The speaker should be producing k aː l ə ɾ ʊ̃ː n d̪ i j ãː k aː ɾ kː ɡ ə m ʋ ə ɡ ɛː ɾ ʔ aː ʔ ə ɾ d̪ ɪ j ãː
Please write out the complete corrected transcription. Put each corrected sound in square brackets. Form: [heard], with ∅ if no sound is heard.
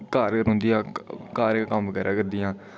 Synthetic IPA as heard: k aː [ɾ] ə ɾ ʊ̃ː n d̪ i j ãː k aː ɾ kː [k] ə m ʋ ə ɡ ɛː ɾ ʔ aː [k] ə ɾ d̪ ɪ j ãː